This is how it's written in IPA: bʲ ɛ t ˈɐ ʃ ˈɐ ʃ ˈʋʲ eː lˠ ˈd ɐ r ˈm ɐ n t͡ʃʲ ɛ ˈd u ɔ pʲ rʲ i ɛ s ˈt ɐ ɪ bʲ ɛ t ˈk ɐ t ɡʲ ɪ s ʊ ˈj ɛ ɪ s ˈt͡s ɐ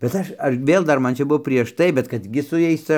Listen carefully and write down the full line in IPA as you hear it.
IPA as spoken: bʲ ɛ t ˈɐ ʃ ˈɐ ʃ ˈʋʲ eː lˠ ˈd ɐ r ˈm ɐ n t͡ʃʲ ɛ ˈb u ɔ pʲ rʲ i ɛ ʃ ˈt ɐ ɪ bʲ ɛ t ˈk ɐ t ɡʲ ɪ s ʊ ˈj ɛ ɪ s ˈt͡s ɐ